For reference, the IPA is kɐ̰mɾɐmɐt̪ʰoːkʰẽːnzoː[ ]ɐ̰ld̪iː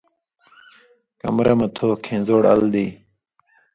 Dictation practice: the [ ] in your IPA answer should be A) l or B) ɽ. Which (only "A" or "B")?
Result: B